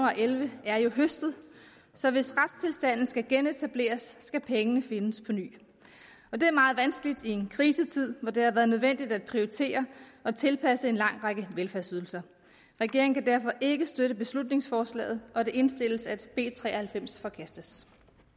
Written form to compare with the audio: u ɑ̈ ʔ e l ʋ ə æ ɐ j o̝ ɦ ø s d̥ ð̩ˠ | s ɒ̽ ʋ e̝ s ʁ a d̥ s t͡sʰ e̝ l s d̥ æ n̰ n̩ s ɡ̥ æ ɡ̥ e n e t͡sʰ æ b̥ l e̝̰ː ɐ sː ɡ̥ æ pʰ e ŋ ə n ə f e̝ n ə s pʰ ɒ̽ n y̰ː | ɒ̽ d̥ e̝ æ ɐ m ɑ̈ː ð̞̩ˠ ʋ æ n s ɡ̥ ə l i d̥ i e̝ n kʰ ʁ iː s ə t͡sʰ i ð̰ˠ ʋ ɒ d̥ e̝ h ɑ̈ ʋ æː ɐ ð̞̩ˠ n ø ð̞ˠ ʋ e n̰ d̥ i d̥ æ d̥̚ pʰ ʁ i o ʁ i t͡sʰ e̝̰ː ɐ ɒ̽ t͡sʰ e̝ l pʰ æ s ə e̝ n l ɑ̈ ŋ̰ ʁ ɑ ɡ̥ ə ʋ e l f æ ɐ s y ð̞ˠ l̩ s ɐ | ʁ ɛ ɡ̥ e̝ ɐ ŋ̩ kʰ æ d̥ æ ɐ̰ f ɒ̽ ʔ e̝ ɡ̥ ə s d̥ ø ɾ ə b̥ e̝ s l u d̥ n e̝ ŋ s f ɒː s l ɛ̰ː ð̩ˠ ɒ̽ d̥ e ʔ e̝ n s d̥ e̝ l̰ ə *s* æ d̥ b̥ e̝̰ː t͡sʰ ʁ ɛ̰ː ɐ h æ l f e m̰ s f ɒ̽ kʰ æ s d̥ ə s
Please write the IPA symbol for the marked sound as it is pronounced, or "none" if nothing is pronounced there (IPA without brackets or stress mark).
s